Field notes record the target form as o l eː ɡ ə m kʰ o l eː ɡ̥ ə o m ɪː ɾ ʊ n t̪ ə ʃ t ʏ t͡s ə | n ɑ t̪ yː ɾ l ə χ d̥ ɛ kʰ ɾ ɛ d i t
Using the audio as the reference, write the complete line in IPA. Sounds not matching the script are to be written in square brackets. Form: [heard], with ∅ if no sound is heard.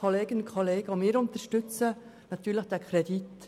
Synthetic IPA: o l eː ɡ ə [n] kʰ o l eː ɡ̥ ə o m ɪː ɾ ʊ n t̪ ə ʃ t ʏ t͡s ə | n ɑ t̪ yː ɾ l ə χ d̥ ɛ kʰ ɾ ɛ d i t